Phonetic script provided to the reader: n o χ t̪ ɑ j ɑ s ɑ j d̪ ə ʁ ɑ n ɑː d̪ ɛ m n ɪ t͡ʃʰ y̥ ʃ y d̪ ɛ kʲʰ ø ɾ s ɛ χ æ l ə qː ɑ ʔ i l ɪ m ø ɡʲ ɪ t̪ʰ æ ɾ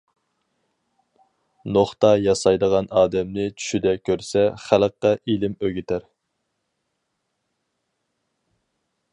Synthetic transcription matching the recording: n o χ t̪ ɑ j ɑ s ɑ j d̪ ə ʁ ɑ n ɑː d̪ ɛ m n ɪ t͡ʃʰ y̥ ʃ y d̪ ɛ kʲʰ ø ɾ s ɛ χ æ l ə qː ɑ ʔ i l ɪ m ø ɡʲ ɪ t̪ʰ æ ɾ